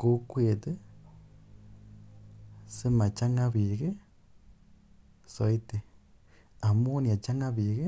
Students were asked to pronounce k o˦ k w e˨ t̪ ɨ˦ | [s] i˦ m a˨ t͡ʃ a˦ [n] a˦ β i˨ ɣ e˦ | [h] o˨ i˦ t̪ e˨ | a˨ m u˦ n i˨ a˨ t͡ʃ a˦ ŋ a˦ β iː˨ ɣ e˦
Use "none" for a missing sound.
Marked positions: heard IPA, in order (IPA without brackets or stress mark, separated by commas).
s, ŋ, s